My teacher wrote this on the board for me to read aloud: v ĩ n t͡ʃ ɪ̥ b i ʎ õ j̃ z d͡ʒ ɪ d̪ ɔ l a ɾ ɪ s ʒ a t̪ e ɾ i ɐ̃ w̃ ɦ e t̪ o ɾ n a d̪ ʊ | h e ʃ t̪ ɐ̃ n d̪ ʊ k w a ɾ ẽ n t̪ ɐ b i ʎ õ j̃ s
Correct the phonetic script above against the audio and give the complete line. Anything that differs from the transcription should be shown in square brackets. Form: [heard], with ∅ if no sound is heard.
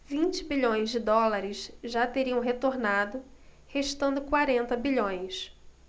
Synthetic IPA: v ĩ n t͡ʃ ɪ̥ b i ʎ õ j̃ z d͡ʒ ɪ d̪ ɔ l a ɾ ɪ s ʒ a t̪ e ɾ i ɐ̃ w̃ ɦ e t̪ o ɾ n a d̪ ʊ | h e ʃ t̪ ɐ̃ n d̪ ʊ k w a ɾ ẽ n t̪ ɐ b i ʎ õ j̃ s